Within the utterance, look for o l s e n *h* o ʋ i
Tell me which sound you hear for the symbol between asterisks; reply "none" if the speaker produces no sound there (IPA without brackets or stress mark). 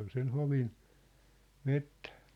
h